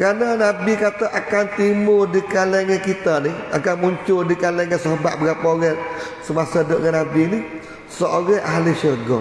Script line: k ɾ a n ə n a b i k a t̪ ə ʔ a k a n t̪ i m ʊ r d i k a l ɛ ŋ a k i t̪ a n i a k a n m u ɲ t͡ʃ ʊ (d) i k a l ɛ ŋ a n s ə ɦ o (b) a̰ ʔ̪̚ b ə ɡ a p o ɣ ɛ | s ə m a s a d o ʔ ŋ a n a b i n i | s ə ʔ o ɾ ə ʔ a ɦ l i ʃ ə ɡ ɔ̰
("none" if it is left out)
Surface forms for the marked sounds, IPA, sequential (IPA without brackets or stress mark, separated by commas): d, b